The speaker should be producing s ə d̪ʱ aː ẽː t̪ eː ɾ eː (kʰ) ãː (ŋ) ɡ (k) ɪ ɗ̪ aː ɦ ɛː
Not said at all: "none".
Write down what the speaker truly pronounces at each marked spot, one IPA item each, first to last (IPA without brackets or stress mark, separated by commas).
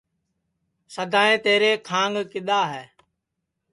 kʰ, ŋ, k